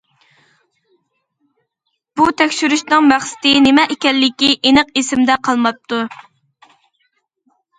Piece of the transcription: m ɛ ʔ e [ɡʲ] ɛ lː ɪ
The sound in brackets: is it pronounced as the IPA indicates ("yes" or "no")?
no